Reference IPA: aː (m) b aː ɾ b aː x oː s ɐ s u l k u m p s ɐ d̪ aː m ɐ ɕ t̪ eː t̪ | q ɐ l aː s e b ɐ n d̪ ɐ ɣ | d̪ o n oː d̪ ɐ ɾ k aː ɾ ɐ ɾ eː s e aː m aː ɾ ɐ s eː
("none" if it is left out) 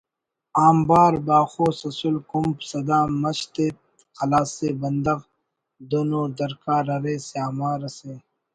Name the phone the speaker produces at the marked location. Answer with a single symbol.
m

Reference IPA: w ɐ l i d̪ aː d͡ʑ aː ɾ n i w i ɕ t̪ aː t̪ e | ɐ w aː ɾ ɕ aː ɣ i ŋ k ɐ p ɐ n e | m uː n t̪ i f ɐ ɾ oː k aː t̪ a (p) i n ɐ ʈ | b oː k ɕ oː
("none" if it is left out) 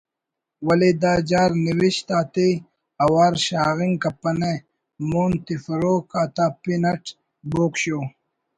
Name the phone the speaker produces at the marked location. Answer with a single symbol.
p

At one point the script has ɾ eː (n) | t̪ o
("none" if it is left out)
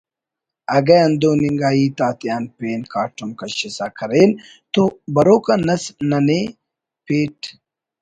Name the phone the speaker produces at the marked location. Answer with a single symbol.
n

